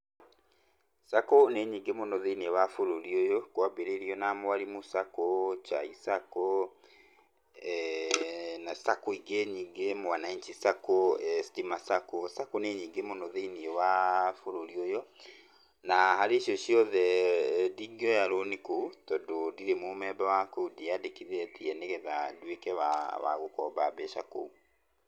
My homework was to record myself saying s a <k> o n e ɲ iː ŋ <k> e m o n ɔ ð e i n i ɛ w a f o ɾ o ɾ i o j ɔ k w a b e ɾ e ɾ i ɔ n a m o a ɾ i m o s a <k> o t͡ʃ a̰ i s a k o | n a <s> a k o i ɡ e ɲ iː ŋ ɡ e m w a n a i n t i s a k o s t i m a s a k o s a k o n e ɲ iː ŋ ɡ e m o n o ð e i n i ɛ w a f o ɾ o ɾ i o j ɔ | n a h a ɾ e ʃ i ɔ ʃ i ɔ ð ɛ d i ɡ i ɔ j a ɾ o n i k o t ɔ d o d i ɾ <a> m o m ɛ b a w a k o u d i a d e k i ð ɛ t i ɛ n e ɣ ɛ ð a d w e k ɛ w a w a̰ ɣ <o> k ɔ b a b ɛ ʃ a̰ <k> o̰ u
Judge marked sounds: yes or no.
yes, no, yes, yes, no, yes, yes

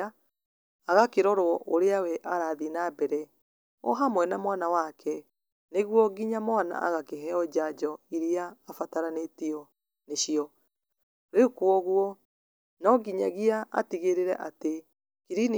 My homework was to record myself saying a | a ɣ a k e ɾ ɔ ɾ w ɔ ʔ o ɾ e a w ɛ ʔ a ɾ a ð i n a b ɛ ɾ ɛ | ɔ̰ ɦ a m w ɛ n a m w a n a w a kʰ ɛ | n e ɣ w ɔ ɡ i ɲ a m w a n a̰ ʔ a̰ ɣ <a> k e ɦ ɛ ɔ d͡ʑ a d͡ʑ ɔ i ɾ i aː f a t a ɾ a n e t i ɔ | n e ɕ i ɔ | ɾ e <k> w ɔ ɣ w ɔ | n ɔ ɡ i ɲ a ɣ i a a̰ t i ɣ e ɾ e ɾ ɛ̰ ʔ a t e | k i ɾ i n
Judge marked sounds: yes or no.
yes, yes

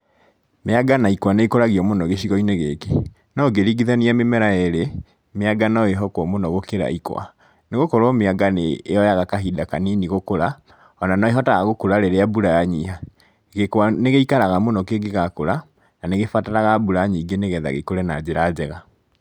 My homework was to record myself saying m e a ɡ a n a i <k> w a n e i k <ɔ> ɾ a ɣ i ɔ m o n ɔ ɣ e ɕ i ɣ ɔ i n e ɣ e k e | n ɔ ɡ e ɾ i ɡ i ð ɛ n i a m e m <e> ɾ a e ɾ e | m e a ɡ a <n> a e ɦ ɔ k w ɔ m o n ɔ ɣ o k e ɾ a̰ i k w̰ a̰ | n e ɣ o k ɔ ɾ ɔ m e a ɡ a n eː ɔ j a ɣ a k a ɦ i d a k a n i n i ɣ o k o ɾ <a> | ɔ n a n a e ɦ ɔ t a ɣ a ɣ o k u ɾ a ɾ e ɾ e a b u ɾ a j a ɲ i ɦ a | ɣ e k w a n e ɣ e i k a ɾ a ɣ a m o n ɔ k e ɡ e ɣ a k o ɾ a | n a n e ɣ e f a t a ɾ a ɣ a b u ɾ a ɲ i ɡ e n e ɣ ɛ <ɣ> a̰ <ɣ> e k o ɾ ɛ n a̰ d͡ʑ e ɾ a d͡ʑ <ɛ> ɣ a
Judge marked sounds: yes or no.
yes, no, no, yes, yes, no, yes, yes

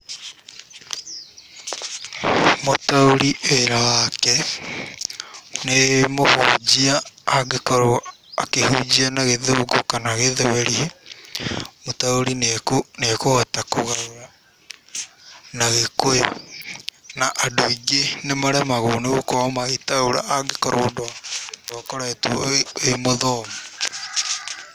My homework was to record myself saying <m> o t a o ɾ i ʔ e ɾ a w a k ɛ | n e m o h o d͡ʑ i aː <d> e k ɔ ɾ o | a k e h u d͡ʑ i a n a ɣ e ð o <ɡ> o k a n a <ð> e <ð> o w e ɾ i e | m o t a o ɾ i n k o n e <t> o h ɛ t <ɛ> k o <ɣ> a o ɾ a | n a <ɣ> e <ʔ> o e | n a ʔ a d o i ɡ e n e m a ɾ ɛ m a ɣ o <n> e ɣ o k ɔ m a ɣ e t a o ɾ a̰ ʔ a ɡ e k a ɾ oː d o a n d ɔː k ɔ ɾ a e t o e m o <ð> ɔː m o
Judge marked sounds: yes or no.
yes, no, yes, no, yes, no, no, yes, yes, no, yes, yes

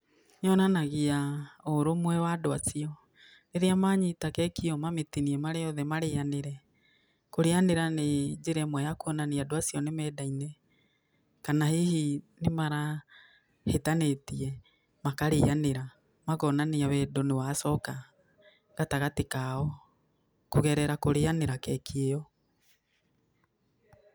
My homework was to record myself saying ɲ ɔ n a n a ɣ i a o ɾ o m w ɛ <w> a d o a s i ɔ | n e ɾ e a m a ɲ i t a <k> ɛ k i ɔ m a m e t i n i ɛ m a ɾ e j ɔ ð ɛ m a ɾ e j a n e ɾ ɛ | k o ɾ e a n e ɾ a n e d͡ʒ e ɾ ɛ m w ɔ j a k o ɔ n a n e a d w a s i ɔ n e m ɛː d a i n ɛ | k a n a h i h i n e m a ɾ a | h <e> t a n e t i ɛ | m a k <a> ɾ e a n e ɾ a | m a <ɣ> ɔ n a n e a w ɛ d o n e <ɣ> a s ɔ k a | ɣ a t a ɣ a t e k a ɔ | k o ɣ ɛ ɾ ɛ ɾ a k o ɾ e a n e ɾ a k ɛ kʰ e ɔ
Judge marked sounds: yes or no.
yes, yes, yes, yes, yes, no

